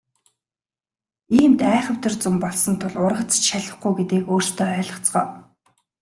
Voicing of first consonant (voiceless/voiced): voiced